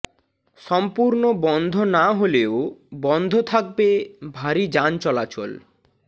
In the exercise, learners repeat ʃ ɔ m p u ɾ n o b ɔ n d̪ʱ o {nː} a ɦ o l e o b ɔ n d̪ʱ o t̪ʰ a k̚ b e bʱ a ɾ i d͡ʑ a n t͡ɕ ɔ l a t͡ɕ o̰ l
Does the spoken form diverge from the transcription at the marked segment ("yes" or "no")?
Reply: yes